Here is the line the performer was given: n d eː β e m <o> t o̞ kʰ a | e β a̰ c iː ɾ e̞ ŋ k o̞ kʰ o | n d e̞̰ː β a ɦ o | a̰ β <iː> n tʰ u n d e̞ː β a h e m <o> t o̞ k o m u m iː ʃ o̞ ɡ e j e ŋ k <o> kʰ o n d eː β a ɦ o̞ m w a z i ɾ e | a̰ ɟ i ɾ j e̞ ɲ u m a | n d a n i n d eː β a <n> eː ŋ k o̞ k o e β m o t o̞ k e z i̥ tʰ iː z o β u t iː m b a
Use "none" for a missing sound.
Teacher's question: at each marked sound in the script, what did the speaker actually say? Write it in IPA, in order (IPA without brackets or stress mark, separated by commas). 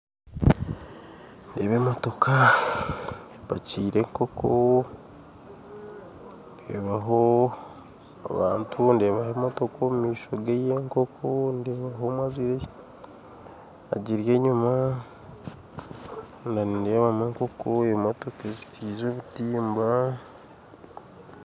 o, aː, o, o, m